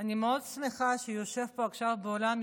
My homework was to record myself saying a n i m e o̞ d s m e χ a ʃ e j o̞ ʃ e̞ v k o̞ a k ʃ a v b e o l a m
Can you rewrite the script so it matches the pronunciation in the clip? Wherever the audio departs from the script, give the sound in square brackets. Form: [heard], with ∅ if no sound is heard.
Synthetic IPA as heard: a n i m e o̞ d s m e χ a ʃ e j o̞ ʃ e̞ v [p] o̞ a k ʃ a v b e o l a m